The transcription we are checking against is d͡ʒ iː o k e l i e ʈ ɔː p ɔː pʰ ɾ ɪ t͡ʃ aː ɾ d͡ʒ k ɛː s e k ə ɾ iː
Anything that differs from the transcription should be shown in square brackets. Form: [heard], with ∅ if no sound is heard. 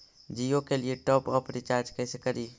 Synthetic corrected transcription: d͡ʒ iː o k e l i e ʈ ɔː p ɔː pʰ ɾ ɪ t͡ʃ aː ɾ d͡ʒ k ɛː s e k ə ɾ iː